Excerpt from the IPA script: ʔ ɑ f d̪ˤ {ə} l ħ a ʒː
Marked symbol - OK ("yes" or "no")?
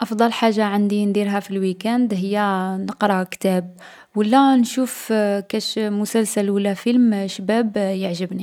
no